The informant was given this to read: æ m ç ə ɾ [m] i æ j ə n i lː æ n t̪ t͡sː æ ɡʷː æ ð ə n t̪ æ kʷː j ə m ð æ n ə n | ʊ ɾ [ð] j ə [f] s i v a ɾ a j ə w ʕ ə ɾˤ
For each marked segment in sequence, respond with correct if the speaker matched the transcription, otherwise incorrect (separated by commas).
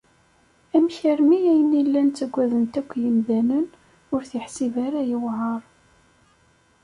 correct, incorrect, incorrect